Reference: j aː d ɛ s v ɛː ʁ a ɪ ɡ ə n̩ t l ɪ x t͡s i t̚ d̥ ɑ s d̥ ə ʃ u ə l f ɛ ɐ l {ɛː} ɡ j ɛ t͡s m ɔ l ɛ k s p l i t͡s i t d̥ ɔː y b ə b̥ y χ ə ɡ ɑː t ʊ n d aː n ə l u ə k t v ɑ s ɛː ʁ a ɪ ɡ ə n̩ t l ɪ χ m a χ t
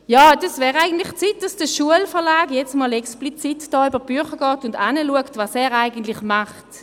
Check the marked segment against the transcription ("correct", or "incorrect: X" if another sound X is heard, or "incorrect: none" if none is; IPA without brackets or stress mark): incorrect: aː